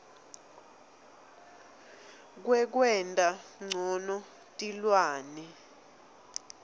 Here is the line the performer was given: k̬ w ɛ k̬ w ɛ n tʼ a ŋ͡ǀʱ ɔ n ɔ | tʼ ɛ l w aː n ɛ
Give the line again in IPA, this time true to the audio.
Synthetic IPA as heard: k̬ w ɛ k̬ w ɛ n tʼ a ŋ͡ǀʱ ɔ n ɔ | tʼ i l w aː n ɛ